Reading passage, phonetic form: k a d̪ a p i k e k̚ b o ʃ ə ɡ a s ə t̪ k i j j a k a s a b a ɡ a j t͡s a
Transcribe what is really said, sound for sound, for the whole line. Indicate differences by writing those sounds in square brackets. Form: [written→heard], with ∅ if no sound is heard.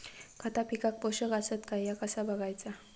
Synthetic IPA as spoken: k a [d̪→t̪] a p i k [e→a] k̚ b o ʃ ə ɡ a s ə t̪ k [i→a] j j a k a s a b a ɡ a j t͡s a